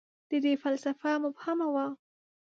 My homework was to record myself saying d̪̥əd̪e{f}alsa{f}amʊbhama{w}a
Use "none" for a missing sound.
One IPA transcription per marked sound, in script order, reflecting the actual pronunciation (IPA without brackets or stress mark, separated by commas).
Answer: f, f, w